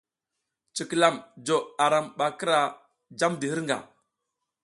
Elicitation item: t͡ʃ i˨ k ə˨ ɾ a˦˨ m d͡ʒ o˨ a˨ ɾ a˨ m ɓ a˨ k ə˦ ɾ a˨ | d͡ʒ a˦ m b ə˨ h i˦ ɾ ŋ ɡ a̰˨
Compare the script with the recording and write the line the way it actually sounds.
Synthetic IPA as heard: t͡ʃ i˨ k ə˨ l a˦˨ m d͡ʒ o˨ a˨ ɾ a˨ m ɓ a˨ k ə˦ ɾ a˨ | d͡ʒ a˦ m d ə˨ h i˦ ɾ ŋ ɡ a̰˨